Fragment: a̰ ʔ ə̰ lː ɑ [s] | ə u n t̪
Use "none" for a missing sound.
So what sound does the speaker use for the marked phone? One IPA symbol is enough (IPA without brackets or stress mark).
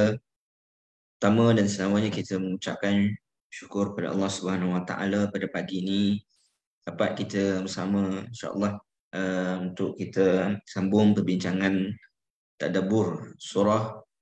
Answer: h